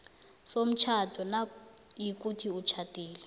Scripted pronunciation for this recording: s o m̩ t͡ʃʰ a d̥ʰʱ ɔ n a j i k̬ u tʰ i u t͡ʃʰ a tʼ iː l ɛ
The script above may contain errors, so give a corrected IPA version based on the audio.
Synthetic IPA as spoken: s o m̩ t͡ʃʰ a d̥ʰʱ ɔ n a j i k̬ u tʰ i u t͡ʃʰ a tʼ iː l ɛ